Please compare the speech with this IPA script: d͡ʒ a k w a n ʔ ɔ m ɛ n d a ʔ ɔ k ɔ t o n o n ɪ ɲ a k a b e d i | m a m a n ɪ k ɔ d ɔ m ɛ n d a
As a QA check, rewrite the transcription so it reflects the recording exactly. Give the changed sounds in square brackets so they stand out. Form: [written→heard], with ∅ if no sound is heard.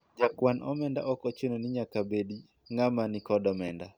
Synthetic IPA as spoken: d͡ʒ a k w a n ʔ ɔ m ɛ n d a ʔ ɔ k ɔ [t→t͡ʃ] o n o n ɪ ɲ a k a b e d i | [m→ŋ] a m a n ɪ k ɔ d ɔ m ɛ n d a